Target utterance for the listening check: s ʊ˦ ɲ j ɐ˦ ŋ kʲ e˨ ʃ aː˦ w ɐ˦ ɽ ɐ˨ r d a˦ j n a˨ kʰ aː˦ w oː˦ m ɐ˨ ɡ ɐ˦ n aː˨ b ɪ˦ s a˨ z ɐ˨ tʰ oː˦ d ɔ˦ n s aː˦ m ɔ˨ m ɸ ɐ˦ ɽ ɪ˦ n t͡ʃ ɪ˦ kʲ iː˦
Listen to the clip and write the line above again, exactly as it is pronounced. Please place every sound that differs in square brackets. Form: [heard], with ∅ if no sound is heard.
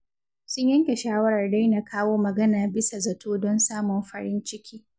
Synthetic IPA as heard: s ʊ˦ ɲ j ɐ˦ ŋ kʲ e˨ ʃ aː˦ w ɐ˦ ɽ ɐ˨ r d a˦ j n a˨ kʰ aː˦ w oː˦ m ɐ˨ ɡ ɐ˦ n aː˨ b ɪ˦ s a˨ z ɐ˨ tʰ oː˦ d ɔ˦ n s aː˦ m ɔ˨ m ɸ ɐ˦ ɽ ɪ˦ n t͡ʃ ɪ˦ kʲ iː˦